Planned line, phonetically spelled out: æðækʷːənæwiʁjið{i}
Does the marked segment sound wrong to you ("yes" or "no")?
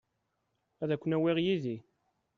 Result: no